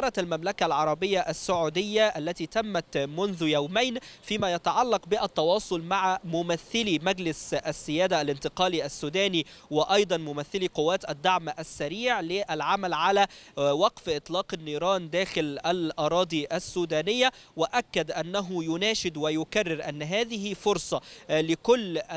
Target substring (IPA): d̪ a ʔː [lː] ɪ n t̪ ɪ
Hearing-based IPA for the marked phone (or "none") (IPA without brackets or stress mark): l